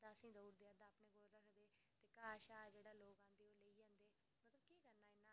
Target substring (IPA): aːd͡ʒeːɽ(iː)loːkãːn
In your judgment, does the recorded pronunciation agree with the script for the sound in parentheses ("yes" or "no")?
no